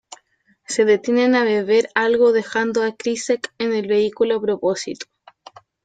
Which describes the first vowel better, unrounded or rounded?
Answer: unrounded